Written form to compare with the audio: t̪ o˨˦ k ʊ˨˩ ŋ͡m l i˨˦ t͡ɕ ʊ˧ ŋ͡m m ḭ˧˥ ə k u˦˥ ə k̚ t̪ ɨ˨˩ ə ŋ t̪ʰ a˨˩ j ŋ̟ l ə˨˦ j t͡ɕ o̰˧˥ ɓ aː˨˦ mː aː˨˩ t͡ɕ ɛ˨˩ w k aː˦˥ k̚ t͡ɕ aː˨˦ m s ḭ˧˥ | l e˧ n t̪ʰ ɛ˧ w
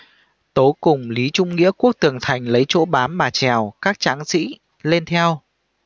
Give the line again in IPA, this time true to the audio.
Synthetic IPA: t̪ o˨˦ k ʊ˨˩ ŋ͡m l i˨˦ t͡ɕ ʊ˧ ŋ͡m ŋ ḭ˧˥ ə k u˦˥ ə k̚ t̪ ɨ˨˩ ə ŋ t̪ʰ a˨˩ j ŋ̟ l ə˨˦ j t͡ɕ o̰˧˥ ɓ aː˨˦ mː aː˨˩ t͡ɕ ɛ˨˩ w k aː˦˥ k̚ t͡ɕ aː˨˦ ŋ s ḭ˧˥ | l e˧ n t̪ʰ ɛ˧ w